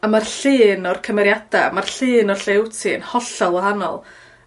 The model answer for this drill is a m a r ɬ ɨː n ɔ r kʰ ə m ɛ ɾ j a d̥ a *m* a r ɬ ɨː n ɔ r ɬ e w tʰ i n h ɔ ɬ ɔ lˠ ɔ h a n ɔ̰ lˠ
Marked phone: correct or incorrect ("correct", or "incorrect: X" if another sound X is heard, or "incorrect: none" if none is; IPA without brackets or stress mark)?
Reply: correct